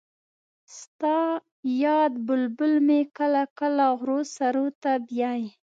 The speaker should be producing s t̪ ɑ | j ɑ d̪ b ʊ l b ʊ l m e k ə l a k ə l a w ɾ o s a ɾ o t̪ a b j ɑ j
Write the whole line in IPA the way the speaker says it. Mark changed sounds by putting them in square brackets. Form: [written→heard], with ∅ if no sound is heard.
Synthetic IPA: s t̪ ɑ | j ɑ d̪ b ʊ l b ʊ l m e k ə l a k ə l a [w→ɣ] ɾ o s a ɾ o t̪ a b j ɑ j